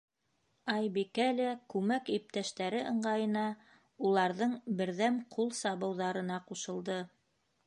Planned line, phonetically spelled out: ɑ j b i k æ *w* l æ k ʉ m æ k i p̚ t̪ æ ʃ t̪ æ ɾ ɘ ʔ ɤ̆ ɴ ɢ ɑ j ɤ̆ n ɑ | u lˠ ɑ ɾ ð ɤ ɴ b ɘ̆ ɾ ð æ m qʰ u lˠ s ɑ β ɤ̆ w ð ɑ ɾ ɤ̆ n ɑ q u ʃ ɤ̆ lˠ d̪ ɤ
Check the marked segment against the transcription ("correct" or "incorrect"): incorrect